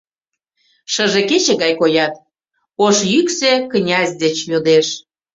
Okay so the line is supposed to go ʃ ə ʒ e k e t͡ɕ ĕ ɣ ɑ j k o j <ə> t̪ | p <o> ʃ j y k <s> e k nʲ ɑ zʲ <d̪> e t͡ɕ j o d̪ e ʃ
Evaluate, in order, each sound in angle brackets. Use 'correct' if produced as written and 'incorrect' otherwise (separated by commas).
incorrect, correct, correct, correct